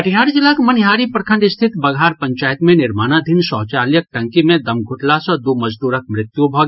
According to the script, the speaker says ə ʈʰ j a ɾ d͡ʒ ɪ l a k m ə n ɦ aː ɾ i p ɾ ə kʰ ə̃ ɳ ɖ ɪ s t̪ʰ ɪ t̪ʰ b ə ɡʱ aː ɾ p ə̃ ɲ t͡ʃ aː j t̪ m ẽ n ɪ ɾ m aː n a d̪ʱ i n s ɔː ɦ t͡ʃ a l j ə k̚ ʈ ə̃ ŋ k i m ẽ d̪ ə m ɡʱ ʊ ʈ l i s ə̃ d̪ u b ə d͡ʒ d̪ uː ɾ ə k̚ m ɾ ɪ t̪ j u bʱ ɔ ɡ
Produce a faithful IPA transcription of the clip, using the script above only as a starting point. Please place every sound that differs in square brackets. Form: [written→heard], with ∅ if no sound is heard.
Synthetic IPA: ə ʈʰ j a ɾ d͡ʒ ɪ l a k m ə n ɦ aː ɾ i p ɾ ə kʰ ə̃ ɳ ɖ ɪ s t̪ʰ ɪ [t̪ʰ→t̪] b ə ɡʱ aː ɾ p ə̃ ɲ t͡ʃ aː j t̪ m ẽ n ɪ ɾ m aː n a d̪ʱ i n s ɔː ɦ t͡ʃ a l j ə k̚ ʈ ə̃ ŋ k i m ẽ d̪ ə m ɡʱ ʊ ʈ l [i→a] s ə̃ d̪ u [b→m] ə d͡ʒ d̪ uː ɾ ə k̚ m ɾ ɪ t̪ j u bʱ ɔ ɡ